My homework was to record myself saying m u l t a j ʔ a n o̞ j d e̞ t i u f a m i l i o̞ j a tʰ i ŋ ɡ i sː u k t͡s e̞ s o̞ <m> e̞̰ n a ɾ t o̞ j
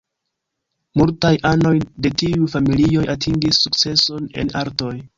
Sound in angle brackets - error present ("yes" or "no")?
yes